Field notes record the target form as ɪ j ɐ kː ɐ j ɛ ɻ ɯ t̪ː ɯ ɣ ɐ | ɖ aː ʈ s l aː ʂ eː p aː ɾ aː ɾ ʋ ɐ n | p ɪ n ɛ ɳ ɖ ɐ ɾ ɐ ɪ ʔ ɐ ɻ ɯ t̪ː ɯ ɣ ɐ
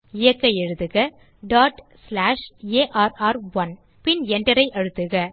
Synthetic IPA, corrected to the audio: ɪ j ɐ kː ɐ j ɛ ɻ ɯ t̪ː ɯ ɣ ɐ | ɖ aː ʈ s l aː ʂ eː ʔ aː ɾ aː ɾ ʋ ɐ n | p ɪ n ɛ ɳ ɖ ɐ ɾ ɐ ɪ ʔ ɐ ɻ ɯ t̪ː ɯ ɣ ɐ